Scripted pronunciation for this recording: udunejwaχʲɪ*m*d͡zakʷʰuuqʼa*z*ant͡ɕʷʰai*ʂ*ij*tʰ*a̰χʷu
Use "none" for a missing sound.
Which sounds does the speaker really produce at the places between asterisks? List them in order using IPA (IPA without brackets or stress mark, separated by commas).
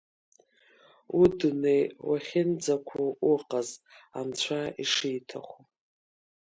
n, z, ʂ, tʰ